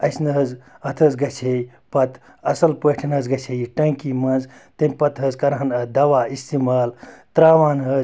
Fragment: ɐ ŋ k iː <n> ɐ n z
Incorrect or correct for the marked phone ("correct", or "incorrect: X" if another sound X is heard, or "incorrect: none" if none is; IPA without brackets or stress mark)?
incorrect: m